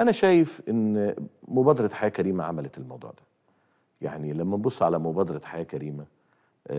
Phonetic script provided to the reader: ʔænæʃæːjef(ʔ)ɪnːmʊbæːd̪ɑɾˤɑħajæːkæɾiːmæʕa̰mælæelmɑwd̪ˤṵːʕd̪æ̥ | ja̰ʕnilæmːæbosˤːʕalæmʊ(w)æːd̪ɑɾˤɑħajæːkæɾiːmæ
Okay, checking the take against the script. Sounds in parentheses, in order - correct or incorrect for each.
correct, incorrect

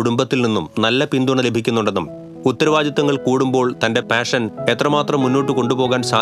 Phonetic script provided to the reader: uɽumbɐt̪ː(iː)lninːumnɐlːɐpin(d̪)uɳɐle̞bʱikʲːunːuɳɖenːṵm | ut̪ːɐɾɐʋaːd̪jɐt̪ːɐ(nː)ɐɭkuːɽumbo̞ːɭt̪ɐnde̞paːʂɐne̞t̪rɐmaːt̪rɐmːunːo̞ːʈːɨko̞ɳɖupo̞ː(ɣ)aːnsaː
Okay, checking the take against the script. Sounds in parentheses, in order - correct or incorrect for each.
incorrect, correct, incorrect, correct

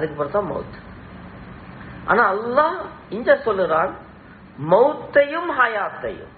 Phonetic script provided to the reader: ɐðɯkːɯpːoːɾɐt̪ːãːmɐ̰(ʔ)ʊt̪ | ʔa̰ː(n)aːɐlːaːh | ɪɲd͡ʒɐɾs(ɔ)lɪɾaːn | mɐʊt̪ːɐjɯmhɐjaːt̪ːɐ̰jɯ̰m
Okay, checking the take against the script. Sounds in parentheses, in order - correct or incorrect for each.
incorrect, correct, correct

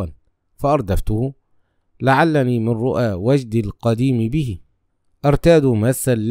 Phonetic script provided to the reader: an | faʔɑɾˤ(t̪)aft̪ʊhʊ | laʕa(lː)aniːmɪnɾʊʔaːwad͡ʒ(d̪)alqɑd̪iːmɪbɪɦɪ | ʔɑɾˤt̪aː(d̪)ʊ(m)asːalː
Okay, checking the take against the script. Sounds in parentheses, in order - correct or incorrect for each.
incorrect, correct, correct, correct, correct

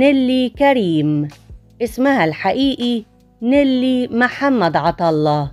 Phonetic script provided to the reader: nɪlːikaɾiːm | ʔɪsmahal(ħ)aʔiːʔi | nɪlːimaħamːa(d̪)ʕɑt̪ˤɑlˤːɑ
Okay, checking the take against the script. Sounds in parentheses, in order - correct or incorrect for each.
correct, correct

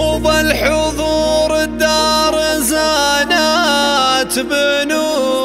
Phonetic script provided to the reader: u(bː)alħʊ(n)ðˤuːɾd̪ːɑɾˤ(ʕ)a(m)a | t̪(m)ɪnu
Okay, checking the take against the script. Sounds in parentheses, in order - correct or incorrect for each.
incorrect, incorrect, incorrect, incorrect, incorrect

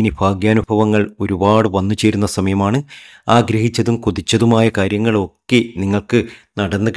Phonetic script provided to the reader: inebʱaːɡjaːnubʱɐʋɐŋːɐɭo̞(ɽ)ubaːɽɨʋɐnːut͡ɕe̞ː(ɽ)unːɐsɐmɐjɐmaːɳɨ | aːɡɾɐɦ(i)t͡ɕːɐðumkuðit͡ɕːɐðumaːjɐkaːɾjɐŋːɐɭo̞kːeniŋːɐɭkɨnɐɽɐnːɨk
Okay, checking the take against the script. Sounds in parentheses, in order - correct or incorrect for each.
incorrect, incorrect, correct

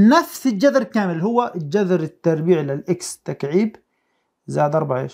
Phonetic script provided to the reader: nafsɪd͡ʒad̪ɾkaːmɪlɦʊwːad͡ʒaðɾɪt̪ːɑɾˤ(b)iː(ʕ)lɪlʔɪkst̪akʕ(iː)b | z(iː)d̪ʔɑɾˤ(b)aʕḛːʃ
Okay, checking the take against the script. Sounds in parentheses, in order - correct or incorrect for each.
correct, correct, correct, incorrect, correct

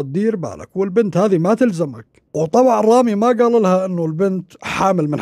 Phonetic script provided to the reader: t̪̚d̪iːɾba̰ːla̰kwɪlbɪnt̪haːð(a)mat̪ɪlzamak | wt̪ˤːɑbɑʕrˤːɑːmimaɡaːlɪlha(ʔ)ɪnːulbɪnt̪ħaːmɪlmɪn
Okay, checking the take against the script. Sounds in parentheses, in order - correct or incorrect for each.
incorrect, correct

